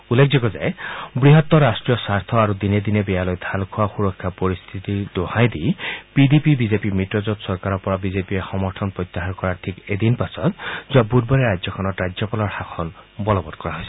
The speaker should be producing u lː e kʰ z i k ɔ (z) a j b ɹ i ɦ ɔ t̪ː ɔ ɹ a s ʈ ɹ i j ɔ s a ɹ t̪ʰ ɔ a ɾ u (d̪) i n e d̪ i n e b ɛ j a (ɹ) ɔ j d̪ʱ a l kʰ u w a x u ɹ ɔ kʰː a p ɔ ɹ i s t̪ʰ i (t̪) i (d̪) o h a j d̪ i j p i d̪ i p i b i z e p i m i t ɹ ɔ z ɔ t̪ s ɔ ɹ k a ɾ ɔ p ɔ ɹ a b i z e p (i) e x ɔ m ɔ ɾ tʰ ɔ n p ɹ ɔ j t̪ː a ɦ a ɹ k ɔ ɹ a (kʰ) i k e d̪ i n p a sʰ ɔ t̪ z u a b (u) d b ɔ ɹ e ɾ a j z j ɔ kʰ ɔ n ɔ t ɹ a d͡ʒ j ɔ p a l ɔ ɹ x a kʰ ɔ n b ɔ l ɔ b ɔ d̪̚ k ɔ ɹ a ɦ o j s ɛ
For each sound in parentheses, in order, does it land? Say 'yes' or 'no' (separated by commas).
yes, yes, no, yes, yes, yes, no, yes